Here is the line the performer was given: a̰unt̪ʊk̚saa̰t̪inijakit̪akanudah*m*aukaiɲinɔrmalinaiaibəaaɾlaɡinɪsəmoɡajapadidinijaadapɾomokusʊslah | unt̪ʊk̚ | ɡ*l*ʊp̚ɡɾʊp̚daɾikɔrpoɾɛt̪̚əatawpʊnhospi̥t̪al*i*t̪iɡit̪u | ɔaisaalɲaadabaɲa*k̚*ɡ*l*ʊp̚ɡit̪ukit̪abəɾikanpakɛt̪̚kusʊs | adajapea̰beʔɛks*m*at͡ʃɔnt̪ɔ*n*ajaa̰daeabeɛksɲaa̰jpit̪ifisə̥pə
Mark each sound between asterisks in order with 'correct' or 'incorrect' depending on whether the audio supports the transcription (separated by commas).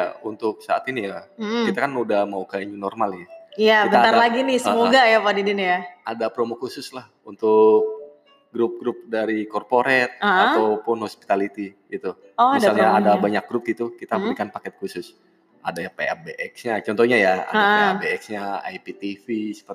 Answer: correct, incorrect, correct, correct, incorrect, incorrect, incorrect